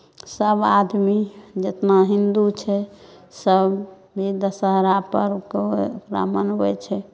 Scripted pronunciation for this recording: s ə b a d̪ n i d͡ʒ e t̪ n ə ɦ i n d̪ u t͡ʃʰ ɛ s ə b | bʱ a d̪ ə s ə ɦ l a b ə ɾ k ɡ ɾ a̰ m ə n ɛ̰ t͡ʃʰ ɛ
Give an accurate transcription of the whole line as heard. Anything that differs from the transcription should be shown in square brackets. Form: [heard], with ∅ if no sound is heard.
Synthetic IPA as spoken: s ə b a d̪ [m] i d͡ʒ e t̪ n [a] ɦ i n d̪ u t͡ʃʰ ɛ s ə b | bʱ [i] d̪ ə s ə ɦ [ɾ] a [p] ə ɾ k [k] ɾ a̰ m ə n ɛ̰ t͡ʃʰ ɛ